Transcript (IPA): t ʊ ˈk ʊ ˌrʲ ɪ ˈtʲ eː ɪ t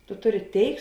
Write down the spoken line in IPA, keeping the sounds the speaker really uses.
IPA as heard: t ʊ ˈt ʊ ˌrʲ ɪ ˈtʲ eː ɪ k